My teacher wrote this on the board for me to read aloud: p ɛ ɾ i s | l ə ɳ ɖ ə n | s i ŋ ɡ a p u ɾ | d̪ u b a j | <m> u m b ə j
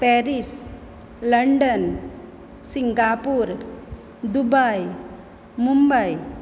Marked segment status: correct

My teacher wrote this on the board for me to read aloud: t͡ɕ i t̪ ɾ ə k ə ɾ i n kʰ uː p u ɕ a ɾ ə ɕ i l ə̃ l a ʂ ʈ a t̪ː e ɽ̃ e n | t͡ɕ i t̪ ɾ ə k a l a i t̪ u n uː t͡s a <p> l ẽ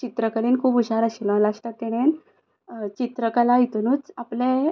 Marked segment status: correct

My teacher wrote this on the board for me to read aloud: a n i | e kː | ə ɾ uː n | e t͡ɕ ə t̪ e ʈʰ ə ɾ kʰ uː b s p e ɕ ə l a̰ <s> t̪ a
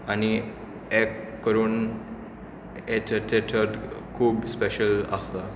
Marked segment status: correct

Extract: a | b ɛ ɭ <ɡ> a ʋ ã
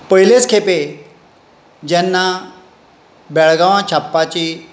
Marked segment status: correct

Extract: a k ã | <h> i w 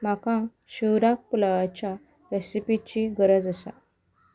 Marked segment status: incorrect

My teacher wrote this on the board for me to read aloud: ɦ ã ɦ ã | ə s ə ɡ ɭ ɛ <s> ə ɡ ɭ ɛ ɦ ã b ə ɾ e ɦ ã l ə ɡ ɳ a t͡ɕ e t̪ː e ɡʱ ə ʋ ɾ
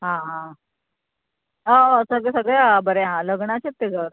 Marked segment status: correct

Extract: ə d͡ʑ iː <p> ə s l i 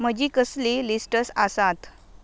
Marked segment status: incorrect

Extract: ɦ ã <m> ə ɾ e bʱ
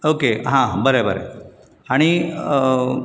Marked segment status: incorrect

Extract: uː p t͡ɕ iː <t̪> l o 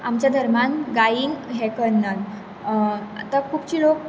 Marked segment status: incorrect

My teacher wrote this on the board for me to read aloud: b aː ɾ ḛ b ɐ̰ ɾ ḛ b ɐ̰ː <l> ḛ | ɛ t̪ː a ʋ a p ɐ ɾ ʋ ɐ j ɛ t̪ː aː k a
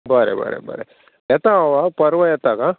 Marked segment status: incorrect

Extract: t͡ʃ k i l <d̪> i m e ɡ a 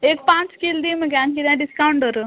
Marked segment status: correct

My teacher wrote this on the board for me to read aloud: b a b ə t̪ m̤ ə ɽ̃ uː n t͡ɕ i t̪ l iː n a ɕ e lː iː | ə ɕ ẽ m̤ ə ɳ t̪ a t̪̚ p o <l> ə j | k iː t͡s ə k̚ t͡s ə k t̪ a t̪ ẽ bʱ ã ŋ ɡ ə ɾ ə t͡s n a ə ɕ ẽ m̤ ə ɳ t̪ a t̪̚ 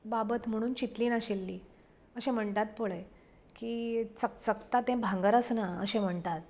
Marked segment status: incorrect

